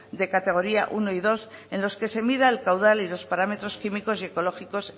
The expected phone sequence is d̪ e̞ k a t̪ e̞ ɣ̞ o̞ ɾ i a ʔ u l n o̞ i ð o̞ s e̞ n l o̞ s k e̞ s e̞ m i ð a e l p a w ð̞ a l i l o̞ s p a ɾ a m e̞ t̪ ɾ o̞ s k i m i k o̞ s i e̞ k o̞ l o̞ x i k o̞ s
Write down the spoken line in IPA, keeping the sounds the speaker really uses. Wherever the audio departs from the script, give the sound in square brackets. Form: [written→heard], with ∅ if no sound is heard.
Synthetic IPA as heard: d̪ e̞ k a t̪ e̞ ɣ̞ o̞ ɾ i a ʔ u [l→∅] n o̞ i ð o̞ s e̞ n l o̞ s k e̞ s e̞ m i ð a e l [p→k] a w ð̞ a l i l o̞ s p a ɾ a m e̞ t̪ ɾ o̞ s k i m i k o̞ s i e̞ k o̞ l o̞ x i k o̞ s